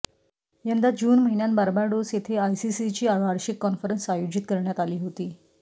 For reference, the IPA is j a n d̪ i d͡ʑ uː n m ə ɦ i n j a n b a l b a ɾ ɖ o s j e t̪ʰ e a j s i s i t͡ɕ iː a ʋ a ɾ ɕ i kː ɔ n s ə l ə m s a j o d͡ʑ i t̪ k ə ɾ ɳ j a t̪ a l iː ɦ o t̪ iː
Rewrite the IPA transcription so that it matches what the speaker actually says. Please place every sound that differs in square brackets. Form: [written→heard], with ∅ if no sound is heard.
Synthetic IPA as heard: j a n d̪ [i→a] d͡ʑ uː n m ə ɦ i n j a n b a [l→ɾ] b a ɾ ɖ o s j e t̪ʰ e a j s i s i t͡ɕ iː a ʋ a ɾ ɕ i kː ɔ n [s→f] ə [l→ɾ] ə [m→n] s a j o d͡ʑ i t̪ k ə ɾ ɳ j a t̪ a l iː ɦ o t̪ iː